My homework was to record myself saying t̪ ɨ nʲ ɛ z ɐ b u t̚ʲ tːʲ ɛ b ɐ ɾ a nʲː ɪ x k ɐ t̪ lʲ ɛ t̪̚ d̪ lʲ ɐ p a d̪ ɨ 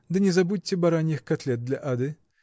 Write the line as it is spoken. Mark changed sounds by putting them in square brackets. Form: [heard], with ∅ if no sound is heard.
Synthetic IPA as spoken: [d̪] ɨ nʲ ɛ z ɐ b u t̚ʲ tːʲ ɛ b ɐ ɾ a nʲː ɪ x k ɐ t̪ lʲ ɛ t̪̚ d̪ lʲ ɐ [ʔ] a d̪ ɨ